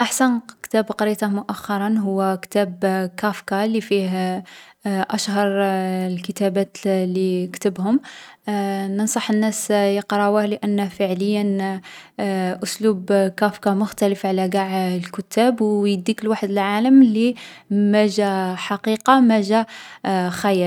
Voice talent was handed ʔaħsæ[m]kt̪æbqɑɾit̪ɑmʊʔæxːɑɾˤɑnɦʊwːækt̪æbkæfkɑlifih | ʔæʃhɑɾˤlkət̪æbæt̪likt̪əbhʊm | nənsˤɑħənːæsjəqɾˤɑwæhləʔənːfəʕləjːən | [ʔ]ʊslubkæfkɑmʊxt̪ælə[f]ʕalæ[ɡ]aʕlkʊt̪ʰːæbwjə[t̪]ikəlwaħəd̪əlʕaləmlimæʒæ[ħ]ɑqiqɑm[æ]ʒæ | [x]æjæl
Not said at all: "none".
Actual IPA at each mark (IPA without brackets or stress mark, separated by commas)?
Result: n, ʔ, f, ɡ, d̪, ħ, æ, x